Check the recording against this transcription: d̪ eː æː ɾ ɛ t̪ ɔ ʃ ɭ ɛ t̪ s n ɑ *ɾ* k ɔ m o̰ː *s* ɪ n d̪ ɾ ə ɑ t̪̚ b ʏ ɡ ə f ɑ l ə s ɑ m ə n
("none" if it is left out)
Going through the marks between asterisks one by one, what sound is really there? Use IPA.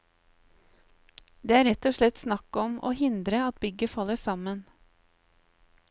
none, h

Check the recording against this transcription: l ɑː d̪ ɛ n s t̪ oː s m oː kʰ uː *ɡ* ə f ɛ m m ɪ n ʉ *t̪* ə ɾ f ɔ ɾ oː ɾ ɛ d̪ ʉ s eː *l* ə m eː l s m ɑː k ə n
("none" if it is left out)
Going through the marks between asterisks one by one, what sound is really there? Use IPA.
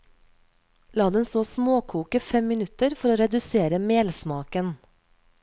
k, t̪, ɾ

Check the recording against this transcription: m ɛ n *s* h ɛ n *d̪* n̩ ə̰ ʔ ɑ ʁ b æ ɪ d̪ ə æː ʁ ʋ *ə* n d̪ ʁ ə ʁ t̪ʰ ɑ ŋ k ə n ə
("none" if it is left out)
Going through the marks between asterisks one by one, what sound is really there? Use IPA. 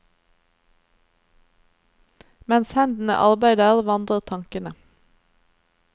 s, d̪, ɑ

